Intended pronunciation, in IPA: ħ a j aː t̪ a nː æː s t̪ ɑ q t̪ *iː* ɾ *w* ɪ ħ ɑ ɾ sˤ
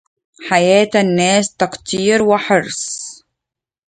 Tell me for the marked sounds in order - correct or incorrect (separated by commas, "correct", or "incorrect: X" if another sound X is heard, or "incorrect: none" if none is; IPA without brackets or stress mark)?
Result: correct, correct